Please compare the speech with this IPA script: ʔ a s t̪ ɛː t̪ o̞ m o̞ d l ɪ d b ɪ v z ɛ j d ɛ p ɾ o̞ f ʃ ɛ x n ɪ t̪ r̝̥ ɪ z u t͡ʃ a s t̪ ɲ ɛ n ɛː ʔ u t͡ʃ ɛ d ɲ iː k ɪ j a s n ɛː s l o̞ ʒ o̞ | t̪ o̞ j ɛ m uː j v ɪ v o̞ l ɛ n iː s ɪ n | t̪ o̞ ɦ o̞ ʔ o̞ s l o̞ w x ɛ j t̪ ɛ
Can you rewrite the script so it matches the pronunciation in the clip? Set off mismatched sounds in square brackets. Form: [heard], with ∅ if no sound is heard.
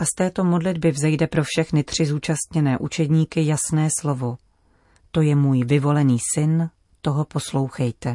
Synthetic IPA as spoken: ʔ a s t̪ ɛː t̪ o̞ m o̞ d l ɪ d b ɪ v z ɛ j d ɛ p ɾ o̞ f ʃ ɛ x n ɪ t̪ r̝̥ ɪ z [uː] t͡ʃ a s t̪ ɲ ɛ n ɛː ʔ u t͡ʃ ɛ d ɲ iː k ɪ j a s n ɛː s l o̞ [v] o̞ | t̪ o̞ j ɛ m uː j v ɪ v o̞ l ɛ n iː s ɪ n | t̪ o̞ ɦ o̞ [p] o̞ s l o̞ w x ɛ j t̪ ɛ